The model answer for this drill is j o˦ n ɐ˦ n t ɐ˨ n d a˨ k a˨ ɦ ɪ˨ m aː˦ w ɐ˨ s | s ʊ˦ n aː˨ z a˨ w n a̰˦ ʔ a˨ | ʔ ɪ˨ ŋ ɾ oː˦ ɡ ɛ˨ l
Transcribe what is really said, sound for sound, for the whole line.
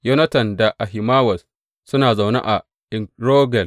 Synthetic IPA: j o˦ n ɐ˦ t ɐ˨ n d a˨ ʔ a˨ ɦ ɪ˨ m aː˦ w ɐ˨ s | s ʊ˦ n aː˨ z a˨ w n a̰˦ ʔ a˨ | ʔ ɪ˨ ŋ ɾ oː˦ ɡ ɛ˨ l

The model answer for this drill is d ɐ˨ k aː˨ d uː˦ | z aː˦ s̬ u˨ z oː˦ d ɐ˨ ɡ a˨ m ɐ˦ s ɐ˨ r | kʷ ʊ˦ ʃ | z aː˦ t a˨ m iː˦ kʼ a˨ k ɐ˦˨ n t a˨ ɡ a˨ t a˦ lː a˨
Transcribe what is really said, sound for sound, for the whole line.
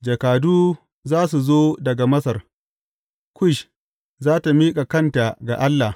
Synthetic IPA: d͡ʒ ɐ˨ k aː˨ d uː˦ | z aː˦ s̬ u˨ z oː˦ d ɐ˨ ɡ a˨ m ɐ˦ s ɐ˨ r | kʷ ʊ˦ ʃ | z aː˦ t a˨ m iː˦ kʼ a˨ k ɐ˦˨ n t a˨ ɡ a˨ ʔ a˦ lː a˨

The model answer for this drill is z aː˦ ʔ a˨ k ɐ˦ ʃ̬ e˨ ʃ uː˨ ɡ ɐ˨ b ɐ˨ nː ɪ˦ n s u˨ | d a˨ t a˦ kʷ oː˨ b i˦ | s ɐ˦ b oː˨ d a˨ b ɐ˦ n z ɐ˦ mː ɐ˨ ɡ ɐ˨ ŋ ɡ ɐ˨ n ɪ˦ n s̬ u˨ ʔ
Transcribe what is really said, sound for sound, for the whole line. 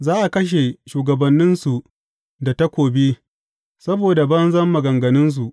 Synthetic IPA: z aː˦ ʔ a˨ k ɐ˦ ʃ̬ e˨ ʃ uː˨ ɡ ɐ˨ b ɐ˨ nː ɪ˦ n s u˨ | d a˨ t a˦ kʷ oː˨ b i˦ | s ɐ˦ b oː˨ d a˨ b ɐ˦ n z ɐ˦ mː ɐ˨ ɡ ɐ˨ ŋ ɡ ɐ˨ n ɪ˦ n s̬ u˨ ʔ

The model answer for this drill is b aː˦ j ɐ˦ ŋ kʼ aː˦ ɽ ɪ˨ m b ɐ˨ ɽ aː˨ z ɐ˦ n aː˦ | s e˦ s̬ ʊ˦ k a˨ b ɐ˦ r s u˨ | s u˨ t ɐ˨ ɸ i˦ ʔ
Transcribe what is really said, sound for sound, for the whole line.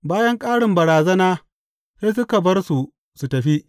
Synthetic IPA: b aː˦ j ɐ˦ ŋ kʼ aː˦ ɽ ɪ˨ m b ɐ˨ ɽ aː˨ z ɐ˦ n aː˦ | s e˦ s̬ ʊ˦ k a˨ b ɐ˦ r s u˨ | s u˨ t ɐ˨ ɸ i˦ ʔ

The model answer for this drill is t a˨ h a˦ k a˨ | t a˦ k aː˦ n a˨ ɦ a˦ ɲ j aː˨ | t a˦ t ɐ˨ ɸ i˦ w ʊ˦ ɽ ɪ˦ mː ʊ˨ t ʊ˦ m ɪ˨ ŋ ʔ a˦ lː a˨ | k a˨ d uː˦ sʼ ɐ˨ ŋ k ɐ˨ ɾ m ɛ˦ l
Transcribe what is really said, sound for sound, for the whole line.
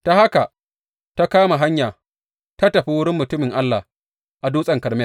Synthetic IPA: t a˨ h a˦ k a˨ | t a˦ k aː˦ m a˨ ɦ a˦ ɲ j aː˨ | t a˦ t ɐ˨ ɸ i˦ w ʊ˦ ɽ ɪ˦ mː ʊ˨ t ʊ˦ m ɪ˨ ŋ ʔ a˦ lː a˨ | ʔ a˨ d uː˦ sʼ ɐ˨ ŋ k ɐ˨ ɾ m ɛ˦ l

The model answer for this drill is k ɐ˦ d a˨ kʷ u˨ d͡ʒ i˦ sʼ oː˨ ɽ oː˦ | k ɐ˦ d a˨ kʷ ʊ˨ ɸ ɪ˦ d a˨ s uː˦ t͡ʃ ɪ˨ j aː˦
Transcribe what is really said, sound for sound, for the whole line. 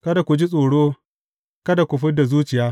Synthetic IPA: k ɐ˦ d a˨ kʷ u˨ d͡ʒ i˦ sʼ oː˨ ɽ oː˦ | k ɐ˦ d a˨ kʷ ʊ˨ ɸ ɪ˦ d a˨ z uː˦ t͡ʃ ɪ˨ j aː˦

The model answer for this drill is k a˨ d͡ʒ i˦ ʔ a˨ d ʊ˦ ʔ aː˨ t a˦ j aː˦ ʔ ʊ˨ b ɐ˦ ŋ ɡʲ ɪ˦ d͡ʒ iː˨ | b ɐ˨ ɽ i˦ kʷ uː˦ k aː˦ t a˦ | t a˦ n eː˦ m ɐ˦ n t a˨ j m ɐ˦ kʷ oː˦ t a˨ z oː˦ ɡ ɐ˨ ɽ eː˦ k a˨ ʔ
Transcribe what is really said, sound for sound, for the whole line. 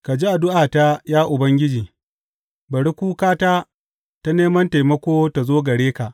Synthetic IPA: k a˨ d͡ʒ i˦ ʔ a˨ d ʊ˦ ʔ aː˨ t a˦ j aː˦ ʔ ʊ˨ b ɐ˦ ŋ ɡʲ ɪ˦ d͡ʒ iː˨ | b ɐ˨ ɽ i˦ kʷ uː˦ k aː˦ t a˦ | t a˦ n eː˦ m ɐ˦ n t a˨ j m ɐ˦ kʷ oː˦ t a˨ z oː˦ ɡ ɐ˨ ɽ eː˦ k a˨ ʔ

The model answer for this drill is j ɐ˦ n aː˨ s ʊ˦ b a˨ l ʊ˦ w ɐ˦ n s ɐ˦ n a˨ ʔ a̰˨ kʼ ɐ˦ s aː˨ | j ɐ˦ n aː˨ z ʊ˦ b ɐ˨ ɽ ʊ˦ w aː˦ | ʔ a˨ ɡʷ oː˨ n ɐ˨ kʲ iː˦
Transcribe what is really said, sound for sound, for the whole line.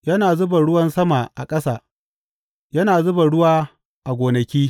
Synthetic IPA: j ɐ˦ n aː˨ z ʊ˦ b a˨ ɽ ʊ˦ w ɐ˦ n s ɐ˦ m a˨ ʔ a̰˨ kʼ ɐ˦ s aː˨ | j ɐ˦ n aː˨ z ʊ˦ b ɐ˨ ɽ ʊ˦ w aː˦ | ʔ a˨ ɡʷ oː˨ n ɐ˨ kʲ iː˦

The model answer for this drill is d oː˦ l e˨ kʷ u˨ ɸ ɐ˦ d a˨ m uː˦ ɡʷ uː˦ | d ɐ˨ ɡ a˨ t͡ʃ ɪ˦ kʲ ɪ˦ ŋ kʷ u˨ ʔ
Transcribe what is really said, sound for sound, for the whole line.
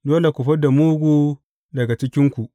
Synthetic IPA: d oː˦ l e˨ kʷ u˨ ɸ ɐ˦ d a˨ m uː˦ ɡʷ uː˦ | d ɐ˨ ɡ a˨ t͡ʃ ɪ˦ kʲ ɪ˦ ŋ kʷ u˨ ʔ

